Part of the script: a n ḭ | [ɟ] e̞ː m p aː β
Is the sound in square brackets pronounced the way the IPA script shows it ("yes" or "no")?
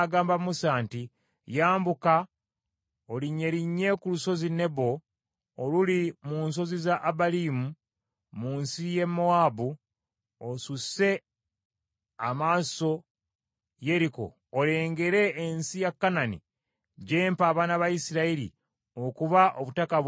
yes